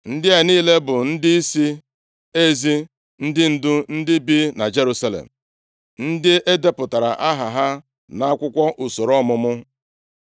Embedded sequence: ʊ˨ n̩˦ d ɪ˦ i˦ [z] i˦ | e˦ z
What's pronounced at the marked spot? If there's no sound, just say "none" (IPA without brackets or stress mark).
s